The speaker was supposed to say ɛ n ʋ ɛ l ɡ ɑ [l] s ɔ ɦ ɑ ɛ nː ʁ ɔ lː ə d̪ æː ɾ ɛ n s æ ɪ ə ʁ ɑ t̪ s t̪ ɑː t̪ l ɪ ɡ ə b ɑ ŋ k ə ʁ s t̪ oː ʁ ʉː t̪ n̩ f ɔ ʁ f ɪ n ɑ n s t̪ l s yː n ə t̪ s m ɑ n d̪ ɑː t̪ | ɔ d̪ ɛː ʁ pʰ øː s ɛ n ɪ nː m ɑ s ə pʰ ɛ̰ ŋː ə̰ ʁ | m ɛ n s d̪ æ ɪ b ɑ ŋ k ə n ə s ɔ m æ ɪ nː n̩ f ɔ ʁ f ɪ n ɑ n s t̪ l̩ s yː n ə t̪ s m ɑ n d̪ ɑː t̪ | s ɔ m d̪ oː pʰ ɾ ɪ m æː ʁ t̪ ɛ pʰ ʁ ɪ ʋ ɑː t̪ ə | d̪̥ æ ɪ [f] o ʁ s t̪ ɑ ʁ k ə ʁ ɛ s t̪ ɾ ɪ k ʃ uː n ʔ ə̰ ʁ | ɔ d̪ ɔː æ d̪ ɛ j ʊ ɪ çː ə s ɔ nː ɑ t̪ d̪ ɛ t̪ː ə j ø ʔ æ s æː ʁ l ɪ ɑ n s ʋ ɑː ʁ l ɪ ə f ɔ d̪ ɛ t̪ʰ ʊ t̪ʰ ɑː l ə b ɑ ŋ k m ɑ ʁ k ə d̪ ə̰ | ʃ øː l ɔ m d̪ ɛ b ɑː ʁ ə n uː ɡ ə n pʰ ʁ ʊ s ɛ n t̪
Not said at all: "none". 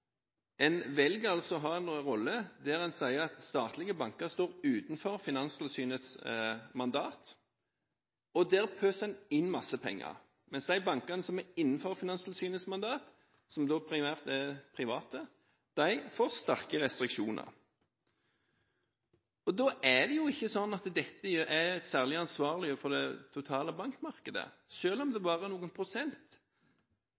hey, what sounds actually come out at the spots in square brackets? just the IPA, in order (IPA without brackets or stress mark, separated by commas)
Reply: l, f